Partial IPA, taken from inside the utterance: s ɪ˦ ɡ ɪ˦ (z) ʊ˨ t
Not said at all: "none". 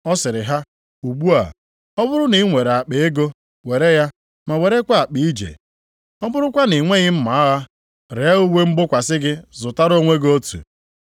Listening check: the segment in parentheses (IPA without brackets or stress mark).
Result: z